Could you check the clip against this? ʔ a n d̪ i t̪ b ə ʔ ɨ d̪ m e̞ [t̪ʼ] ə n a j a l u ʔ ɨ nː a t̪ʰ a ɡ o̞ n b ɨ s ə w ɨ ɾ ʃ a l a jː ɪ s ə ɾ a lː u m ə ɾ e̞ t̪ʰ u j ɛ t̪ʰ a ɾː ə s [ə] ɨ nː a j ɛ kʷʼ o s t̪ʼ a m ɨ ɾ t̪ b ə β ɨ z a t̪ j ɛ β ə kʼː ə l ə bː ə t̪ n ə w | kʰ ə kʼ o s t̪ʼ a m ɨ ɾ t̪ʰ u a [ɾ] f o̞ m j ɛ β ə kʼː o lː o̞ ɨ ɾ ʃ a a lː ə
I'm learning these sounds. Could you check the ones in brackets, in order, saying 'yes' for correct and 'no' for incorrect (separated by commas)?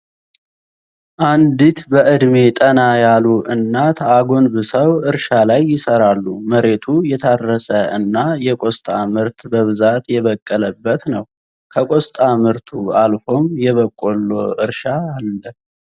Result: yes, yes, no